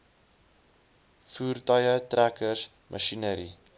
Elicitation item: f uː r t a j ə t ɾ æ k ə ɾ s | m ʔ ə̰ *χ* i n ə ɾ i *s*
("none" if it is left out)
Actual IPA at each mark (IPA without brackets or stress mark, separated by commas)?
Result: ʃ, none